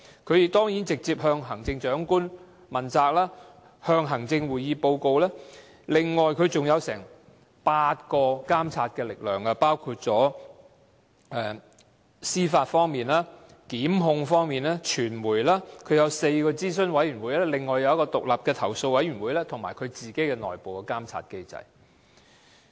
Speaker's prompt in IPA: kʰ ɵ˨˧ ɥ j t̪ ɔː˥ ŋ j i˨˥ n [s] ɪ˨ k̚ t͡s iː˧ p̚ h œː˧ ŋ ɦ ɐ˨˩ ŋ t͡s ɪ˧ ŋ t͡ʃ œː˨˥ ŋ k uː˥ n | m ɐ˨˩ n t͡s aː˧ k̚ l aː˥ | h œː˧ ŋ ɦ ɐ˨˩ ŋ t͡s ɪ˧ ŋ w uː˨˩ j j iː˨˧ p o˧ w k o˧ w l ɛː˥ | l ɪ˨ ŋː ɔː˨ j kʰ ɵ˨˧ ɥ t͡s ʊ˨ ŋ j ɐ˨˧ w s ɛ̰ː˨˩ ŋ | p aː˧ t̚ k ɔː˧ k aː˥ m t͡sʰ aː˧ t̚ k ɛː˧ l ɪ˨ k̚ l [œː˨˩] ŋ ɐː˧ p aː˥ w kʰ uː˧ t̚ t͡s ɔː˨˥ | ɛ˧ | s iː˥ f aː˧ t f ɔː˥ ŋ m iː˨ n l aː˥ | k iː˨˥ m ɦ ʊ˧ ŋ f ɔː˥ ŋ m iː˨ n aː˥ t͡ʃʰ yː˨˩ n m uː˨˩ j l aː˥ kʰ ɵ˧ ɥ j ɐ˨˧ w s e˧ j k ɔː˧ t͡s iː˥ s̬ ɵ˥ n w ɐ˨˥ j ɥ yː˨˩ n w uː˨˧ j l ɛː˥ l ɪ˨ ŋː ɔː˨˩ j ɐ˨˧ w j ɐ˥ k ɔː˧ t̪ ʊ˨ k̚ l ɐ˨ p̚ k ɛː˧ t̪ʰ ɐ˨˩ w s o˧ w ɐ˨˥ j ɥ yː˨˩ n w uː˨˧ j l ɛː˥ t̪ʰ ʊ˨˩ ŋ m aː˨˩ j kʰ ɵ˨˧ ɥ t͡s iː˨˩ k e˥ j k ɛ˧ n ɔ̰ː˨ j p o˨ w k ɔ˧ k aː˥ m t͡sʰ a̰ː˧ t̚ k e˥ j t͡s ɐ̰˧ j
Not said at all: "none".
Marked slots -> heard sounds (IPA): t͡s, œː˨˩

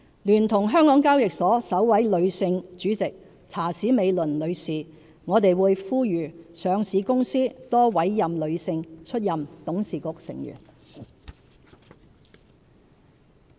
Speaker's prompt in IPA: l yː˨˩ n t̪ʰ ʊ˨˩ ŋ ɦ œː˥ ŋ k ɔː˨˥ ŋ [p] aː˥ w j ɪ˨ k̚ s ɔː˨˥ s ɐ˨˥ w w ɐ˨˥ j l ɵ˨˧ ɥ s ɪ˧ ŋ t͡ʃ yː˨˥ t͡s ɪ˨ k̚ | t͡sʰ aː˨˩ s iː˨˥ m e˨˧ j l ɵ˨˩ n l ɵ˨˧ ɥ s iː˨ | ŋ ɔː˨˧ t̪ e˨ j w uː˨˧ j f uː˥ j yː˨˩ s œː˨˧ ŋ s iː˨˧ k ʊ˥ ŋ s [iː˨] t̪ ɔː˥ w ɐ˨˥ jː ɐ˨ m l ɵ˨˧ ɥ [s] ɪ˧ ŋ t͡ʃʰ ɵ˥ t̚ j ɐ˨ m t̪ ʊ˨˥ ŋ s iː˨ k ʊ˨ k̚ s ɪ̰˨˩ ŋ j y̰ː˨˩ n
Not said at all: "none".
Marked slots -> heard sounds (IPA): k, iː˥, s

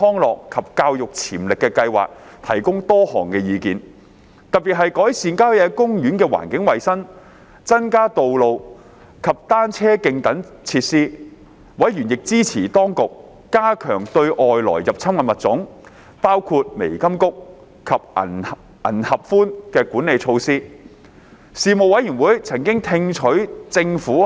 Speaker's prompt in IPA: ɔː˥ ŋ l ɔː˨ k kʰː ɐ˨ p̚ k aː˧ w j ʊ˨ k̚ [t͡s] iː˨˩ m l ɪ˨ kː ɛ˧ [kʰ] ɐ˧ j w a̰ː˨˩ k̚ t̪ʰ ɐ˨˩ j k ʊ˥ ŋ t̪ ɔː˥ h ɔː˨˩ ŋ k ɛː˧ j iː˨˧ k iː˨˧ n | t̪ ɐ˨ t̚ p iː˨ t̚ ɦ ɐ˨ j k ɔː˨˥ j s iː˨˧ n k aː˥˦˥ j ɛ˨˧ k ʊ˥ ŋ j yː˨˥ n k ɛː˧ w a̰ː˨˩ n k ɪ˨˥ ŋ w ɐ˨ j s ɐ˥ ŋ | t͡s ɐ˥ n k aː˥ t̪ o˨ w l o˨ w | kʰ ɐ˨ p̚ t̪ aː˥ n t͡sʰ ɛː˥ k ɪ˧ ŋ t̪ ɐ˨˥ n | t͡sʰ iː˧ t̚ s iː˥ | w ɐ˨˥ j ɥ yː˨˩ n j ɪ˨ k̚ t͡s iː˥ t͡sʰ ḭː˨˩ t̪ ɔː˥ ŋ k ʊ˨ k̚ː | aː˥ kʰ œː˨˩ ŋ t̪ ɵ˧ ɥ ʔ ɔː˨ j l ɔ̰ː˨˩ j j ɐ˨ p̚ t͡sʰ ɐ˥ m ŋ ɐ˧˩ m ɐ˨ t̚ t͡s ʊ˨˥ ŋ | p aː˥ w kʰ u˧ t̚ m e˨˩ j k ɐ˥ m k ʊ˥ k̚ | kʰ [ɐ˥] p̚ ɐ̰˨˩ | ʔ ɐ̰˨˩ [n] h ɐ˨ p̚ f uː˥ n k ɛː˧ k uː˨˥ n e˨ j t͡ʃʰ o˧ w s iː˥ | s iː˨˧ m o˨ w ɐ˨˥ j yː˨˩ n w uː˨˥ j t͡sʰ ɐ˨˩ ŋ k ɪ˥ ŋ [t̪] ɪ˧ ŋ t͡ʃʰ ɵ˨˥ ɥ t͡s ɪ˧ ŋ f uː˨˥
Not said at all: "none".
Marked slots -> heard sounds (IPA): t͡sʰ, k, ɐ˨, n, t̪ʰ

